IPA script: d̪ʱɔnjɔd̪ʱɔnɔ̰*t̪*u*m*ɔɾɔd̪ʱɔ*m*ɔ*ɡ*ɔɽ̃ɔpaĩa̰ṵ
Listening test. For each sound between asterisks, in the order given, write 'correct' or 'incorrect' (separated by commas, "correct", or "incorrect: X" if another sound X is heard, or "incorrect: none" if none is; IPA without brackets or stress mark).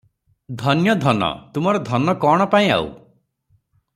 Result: correct, correct, incorrect: n, incorrect: k